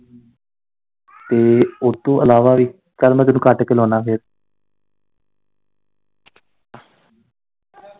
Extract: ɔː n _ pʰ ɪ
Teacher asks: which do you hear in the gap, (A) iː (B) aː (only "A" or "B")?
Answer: B